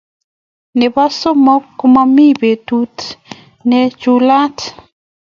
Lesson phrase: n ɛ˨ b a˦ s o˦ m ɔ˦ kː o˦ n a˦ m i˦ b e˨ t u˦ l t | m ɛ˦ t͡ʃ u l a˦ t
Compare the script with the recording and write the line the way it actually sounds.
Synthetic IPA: n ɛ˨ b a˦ s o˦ m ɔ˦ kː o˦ m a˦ m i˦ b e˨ t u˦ t | n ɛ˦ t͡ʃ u l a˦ t